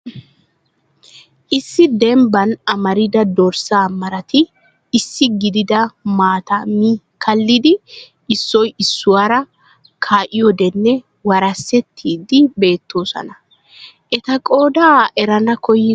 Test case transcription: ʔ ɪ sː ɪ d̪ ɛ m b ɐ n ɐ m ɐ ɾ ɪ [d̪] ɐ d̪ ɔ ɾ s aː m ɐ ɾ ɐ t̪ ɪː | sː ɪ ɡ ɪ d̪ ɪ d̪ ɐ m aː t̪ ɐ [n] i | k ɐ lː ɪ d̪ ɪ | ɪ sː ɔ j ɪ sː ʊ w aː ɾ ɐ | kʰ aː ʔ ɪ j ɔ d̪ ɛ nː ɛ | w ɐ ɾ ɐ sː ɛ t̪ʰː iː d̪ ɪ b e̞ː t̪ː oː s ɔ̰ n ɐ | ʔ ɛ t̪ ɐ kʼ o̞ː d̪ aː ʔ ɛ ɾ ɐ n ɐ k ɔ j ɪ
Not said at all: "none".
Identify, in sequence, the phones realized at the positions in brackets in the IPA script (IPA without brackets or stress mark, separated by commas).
d̪, m